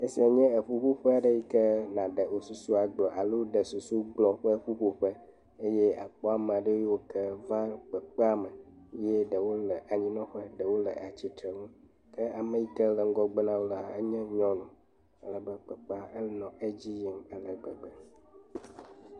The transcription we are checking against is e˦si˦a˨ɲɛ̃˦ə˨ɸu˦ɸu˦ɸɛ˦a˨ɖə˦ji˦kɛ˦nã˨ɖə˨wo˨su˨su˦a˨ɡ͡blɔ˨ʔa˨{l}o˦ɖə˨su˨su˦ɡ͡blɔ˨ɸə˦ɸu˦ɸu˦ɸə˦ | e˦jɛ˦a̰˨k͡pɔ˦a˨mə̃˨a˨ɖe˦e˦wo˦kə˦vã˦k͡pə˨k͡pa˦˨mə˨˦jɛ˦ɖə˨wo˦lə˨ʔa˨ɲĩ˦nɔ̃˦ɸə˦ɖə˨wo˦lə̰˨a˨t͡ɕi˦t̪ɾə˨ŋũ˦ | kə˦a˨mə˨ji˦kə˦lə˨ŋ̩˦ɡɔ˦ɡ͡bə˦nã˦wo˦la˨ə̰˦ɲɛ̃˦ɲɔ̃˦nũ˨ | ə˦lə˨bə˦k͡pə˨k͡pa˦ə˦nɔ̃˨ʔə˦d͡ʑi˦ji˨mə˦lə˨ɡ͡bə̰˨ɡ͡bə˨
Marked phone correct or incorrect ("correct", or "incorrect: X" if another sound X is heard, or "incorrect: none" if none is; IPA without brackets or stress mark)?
correct